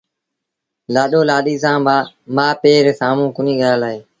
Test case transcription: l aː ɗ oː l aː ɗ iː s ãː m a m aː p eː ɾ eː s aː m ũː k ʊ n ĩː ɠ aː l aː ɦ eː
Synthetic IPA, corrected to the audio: l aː ɗ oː l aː ɗ iː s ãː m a m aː p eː ɾ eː s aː m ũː k ʊ n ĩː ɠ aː l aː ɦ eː